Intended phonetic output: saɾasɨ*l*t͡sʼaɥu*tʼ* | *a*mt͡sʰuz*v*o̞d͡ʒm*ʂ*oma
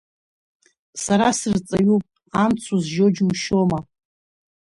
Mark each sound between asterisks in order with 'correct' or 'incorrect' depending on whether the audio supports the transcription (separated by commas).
incorrect, incorrect, correct, incorrect, incorrect